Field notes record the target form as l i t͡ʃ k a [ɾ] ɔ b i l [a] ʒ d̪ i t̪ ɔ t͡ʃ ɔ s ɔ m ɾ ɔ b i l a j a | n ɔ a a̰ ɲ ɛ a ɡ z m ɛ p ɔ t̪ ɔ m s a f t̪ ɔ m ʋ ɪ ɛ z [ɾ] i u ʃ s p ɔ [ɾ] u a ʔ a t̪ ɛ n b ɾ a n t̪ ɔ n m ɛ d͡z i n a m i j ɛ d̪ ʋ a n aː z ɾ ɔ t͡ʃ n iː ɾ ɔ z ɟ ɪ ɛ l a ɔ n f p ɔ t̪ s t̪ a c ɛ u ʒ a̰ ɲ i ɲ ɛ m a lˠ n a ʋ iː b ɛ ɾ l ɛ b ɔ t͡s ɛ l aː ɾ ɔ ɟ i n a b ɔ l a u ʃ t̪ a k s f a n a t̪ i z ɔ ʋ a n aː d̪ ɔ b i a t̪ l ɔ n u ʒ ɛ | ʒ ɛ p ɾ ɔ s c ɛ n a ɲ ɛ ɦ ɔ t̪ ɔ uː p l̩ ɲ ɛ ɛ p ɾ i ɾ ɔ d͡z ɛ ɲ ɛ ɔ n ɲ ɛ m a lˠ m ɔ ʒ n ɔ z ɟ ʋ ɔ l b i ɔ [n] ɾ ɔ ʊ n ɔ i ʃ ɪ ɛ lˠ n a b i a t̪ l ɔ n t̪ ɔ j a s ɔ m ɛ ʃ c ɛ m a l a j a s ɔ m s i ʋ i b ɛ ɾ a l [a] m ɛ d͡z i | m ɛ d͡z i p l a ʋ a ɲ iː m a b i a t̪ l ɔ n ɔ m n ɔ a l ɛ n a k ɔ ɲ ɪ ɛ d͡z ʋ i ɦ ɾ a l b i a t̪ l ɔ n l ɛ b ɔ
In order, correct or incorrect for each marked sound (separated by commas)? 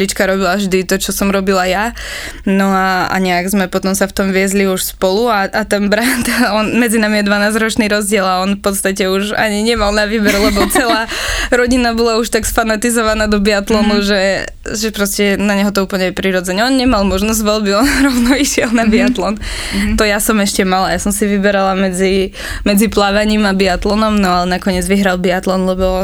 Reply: correct, correct, incorrect, incorrect, correct, correct